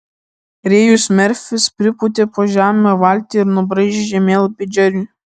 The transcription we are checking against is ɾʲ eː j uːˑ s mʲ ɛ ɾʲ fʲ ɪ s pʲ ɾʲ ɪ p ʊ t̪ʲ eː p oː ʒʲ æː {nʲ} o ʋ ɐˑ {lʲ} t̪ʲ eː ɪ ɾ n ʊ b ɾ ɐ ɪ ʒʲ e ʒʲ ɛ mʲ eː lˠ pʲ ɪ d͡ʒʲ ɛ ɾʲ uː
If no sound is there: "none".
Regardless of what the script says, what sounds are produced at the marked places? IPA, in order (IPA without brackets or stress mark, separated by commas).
mʲ, lʲ